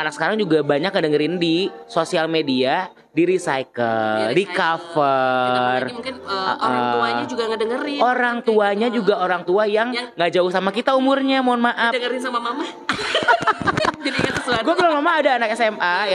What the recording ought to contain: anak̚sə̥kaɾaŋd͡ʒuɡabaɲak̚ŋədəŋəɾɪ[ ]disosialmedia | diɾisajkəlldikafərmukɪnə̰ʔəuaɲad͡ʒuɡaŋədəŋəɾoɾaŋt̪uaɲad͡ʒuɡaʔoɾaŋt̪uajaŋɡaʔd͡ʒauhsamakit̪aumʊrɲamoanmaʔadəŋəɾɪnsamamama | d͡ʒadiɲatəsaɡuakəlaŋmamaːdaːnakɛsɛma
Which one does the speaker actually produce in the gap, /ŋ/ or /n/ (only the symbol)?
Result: n